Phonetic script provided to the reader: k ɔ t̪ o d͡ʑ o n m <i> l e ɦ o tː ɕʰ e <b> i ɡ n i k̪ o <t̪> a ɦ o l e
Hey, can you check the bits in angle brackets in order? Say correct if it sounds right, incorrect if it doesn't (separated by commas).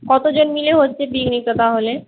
correct, correct, correct